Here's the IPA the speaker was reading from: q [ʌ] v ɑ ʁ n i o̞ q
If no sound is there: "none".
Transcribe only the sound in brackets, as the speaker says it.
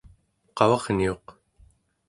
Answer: ɑ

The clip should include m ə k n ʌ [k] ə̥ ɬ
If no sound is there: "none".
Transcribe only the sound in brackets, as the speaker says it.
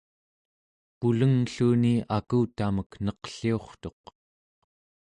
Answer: q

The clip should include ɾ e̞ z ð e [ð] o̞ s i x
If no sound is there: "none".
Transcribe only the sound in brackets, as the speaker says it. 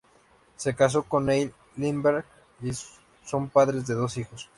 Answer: ð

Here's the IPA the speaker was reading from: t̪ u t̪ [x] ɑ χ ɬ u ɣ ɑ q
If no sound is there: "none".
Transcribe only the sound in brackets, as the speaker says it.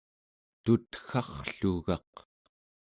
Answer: x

